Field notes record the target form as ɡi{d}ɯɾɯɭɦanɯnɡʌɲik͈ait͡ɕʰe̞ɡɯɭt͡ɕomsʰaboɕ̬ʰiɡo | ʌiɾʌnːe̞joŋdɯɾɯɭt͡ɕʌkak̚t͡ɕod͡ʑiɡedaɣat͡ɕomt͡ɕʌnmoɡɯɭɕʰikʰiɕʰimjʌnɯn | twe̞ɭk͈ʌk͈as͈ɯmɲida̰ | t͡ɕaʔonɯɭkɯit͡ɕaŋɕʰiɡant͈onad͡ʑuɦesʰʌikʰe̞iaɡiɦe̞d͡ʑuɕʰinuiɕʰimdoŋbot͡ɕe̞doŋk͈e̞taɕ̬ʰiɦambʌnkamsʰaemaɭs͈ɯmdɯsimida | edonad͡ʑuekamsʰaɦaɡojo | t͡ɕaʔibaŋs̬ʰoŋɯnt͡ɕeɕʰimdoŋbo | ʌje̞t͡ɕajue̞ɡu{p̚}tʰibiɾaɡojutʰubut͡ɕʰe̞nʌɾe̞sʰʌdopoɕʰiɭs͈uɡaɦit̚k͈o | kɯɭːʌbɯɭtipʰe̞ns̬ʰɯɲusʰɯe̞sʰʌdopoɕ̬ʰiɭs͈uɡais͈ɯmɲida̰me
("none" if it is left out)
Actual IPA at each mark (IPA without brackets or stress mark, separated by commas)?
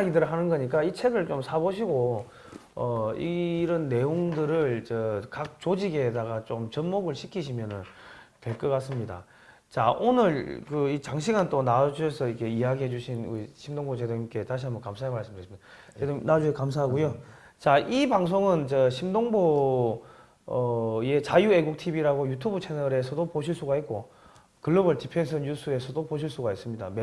d, k̚